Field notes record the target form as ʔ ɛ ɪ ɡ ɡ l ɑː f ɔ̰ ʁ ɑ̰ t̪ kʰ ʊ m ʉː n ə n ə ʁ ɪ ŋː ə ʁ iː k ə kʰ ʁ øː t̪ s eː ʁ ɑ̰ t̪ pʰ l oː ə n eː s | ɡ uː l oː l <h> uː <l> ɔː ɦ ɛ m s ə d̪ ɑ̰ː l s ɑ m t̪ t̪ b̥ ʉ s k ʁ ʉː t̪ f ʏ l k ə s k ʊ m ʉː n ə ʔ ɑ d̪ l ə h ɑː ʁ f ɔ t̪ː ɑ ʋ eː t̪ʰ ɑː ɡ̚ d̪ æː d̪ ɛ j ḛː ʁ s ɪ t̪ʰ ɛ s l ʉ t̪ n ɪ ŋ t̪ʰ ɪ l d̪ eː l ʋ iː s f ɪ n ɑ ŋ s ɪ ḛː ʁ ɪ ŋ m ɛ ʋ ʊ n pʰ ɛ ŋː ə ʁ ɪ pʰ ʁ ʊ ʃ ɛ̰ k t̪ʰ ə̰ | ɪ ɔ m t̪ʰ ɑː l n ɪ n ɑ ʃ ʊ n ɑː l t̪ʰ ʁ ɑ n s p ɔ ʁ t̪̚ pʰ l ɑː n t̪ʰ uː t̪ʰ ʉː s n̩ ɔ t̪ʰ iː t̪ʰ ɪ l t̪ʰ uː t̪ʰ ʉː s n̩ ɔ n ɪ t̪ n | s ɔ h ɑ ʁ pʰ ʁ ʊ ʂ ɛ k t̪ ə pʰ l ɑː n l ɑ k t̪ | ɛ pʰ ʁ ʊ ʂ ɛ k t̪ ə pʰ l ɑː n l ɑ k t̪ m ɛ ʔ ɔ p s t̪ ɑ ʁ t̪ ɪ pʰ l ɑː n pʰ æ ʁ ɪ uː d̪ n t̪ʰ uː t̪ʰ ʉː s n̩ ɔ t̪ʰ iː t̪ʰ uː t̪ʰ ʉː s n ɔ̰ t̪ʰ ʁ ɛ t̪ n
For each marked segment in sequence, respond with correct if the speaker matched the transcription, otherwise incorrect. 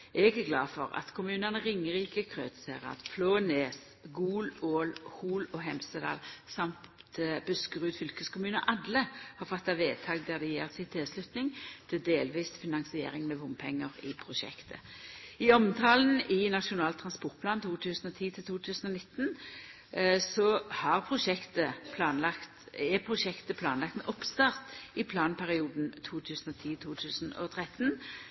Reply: correct, correct

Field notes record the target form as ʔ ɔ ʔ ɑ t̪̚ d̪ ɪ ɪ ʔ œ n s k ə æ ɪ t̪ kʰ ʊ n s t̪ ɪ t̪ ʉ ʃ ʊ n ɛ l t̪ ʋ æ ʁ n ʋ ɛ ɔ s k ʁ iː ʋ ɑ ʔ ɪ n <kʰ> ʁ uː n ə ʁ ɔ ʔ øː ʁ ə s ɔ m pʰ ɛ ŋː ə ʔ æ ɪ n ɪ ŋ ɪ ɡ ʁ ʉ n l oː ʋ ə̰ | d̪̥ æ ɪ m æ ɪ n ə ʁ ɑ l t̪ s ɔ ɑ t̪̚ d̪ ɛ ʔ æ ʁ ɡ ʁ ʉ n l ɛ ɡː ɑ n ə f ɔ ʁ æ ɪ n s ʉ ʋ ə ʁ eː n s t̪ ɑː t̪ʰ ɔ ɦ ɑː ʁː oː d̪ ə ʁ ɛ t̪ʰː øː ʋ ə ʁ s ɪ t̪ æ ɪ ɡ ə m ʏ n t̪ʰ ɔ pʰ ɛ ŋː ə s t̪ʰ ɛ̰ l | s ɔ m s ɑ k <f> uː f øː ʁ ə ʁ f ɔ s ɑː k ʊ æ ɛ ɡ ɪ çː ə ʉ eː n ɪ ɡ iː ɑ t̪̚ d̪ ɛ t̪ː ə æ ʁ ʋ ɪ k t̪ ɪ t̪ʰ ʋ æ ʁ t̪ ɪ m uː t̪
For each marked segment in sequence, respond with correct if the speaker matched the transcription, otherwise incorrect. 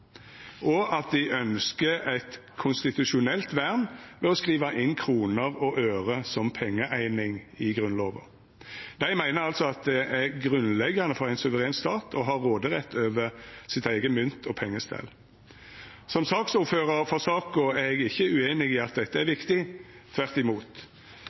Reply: correct, incorrect

